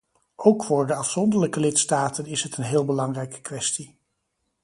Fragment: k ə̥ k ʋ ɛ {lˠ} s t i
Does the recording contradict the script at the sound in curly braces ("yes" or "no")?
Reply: yes